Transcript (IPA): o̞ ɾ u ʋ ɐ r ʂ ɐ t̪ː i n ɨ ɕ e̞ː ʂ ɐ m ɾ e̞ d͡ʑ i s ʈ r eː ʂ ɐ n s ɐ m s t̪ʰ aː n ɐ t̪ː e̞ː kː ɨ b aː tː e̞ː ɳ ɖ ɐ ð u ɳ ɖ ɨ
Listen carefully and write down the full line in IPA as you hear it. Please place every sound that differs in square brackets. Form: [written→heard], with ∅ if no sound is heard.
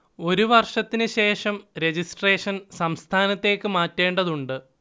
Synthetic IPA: o̞ ɾ u ʋ ɐ r ʂ ɐ t̪ː i n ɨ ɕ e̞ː ʂ ɐ m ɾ e̞ d͡ʑ i s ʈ r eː ʂ ɐ n s ɐ m s t̪ʰ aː n ɐ t̪ː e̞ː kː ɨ [b→m] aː tː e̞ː ɳ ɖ ɐ ð u ɳ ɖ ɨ